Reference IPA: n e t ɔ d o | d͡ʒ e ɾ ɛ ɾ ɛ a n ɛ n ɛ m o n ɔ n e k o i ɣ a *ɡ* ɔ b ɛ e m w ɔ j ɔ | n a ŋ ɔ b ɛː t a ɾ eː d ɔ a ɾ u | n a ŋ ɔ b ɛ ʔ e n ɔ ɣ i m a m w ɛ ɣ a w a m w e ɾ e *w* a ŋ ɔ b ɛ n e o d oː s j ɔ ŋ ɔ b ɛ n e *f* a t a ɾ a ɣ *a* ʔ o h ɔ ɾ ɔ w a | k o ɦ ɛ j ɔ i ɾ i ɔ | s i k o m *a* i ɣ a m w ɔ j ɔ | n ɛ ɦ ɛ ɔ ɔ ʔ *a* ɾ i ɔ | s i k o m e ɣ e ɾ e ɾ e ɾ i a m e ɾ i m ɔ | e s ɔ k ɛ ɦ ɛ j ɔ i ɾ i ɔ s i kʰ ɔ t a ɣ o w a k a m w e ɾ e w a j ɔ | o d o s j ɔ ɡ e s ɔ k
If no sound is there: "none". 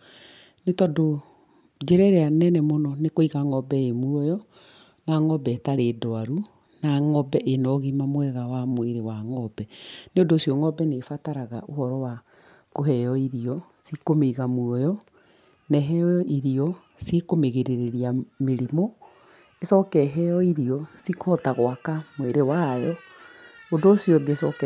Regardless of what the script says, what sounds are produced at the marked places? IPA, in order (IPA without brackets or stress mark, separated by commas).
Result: ŋ, w, f, a, e, i